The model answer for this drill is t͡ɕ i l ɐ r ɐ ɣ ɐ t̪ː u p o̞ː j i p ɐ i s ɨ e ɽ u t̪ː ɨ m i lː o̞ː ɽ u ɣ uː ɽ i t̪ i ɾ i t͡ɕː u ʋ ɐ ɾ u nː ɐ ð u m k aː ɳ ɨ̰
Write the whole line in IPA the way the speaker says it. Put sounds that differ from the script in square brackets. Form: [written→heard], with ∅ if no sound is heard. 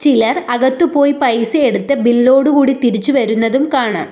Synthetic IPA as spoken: t͡ɕ i l ɐ r ɐ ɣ ɐ t̪ː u p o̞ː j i p ɐ [i→j] s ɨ e ɽ u t̪ː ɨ [m→b] i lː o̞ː ɽ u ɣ uː ɽ i t̪ i ɾ i t͡ɕː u ʋ ɐ ɾ u nː ɐ ð u m k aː ɳ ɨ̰